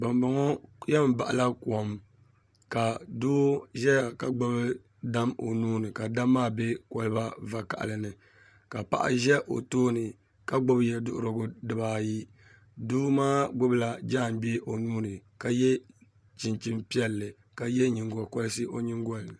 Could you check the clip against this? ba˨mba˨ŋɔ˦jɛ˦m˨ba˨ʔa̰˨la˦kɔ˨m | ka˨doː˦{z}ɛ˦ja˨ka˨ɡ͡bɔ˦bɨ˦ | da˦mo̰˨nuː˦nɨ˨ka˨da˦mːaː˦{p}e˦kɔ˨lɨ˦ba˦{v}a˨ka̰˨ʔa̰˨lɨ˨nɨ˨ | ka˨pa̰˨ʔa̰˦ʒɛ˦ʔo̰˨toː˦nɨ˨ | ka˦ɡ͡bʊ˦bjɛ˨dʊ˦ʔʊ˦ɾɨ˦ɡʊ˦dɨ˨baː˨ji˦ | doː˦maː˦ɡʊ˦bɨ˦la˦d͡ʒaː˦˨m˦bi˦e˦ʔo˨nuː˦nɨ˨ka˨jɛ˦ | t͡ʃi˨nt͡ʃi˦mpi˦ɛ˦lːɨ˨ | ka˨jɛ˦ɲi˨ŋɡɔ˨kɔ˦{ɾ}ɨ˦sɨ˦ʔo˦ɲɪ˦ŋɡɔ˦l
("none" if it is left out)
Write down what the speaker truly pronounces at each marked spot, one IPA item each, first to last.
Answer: ʒ, b, v, l

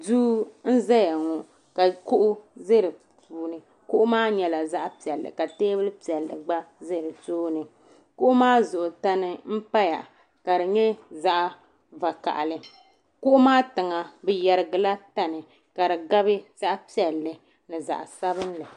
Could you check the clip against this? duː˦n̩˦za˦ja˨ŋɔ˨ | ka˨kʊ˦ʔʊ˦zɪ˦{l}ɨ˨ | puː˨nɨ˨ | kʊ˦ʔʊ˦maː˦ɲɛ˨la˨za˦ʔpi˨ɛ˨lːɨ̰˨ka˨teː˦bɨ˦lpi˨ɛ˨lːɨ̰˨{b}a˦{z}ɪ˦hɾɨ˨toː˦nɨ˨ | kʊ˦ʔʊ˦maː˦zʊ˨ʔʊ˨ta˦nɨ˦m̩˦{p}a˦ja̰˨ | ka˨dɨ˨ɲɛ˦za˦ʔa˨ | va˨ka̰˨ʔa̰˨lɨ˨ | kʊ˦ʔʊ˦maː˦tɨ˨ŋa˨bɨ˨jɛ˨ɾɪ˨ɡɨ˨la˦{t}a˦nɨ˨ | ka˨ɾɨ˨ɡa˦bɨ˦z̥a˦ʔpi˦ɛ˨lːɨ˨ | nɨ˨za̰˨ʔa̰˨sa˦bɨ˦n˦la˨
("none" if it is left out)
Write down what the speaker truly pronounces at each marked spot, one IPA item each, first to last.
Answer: ɾ, ɡ͡b, z, p, t

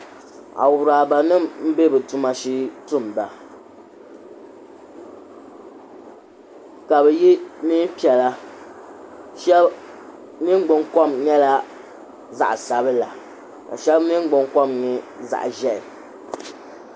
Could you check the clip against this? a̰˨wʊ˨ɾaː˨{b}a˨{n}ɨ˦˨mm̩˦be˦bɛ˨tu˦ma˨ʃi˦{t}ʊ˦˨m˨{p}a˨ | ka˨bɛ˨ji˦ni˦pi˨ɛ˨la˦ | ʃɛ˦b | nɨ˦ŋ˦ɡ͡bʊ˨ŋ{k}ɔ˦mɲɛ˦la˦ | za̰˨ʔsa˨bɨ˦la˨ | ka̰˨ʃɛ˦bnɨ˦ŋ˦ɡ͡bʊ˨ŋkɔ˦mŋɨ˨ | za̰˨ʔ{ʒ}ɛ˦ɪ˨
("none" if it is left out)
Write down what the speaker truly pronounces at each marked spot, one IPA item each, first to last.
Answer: b, n, t, b, k, ʒ

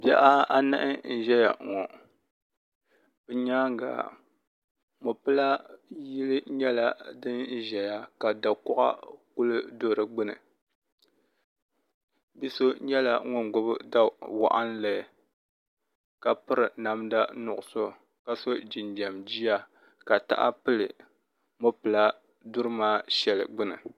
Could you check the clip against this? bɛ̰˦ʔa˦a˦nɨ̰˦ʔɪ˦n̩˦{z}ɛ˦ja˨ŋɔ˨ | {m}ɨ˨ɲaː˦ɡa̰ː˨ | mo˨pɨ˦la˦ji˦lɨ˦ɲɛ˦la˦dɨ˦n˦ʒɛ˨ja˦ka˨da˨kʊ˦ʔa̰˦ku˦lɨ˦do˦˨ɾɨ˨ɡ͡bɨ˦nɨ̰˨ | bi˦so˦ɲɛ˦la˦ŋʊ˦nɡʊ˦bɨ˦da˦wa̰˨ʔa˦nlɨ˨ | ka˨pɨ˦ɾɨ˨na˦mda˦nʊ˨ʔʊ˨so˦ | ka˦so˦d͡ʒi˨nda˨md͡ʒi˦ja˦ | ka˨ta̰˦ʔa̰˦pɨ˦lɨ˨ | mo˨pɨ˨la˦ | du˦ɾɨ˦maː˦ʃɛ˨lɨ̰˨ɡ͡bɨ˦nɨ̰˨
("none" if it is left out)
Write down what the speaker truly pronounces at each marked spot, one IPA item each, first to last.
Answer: ʒ, b

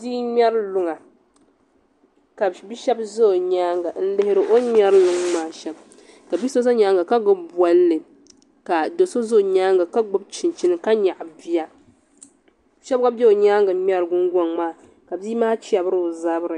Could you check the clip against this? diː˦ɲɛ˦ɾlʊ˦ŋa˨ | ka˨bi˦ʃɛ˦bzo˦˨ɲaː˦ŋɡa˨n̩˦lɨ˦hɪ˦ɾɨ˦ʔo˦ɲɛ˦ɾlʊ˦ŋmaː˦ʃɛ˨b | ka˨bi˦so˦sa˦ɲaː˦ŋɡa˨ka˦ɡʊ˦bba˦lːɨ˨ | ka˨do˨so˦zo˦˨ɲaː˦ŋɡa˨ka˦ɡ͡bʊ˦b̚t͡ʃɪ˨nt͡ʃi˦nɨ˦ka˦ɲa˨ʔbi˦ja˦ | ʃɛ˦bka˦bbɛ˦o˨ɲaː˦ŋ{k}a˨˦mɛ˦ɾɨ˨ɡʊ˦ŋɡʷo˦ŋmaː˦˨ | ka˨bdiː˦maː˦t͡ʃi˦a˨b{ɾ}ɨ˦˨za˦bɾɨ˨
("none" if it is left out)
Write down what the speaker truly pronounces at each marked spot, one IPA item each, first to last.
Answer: ɡ, ɾ

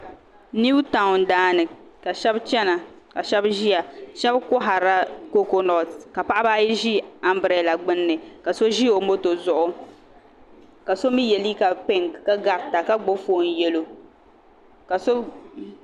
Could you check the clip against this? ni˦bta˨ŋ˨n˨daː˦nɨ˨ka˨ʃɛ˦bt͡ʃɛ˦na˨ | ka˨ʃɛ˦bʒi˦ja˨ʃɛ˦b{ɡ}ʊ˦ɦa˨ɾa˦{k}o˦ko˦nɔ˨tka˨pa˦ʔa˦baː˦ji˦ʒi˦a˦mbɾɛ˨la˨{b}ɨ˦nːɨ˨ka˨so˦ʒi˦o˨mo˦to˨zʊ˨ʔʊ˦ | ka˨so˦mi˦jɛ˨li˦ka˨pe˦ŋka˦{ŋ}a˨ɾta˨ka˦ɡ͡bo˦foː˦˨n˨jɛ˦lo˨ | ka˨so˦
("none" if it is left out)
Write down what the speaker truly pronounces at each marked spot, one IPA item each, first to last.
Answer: k, k, ɡ͡b, ɡ

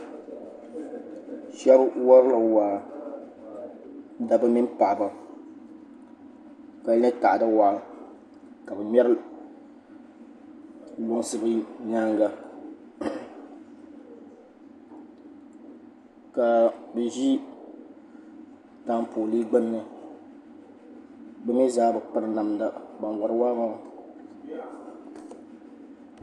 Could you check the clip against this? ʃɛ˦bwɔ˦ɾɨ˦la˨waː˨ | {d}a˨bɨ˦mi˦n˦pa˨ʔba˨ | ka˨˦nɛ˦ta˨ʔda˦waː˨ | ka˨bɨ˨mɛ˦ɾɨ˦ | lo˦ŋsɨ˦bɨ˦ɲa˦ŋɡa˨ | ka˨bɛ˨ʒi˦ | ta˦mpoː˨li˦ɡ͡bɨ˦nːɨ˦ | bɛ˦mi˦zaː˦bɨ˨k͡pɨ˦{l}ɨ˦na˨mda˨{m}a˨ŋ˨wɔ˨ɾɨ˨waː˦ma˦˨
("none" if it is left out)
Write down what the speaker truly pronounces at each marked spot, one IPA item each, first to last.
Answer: d, ɾ, b

